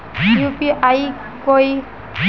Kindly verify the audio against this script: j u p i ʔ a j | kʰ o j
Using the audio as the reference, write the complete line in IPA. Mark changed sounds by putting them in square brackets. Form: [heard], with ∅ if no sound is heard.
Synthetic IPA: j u p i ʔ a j | [k] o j